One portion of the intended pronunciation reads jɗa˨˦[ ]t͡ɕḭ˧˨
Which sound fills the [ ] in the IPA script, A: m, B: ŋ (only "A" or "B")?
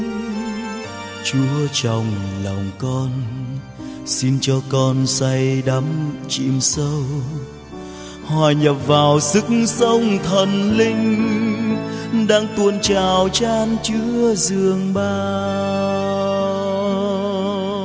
A